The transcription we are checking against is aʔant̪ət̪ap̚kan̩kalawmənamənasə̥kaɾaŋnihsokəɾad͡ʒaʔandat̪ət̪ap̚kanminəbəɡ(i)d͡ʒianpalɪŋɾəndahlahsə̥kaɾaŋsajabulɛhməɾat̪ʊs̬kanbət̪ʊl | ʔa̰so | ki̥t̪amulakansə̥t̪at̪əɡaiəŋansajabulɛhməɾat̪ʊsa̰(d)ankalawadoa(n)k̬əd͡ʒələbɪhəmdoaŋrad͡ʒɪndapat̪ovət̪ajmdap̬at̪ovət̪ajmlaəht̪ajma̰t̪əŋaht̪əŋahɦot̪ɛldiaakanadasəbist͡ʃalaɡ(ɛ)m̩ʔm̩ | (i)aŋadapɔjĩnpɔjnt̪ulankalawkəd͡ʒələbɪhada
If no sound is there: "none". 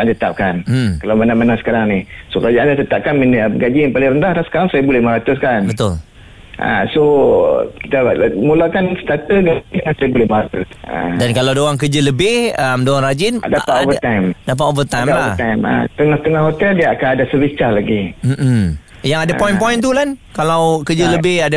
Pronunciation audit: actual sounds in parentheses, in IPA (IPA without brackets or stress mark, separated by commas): a, d, ŋ, i, j